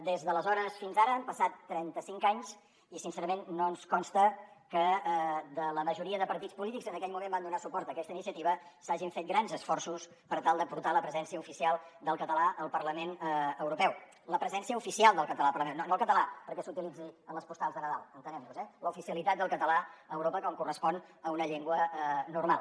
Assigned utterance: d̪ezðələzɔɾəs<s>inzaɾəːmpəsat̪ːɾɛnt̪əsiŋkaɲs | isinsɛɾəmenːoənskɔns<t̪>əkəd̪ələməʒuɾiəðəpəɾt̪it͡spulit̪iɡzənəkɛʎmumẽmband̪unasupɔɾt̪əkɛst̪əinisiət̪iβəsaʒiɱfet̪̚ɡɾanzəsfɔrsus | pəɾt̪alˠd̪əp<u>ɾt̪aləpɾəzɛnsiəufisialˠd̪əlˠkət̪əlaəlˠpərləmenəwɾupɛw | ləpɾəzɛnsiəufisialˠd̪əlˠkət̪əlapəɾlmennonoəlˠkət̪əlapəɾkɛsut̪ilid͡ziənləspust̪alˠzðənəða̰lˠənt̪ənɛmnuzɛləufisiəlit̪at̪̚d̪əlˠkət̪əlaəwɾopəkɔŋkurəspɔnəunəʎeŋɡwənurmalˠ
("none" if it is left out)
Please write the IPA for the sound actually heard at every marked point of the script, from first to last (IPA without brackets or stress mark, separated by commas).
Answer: f, t̪, u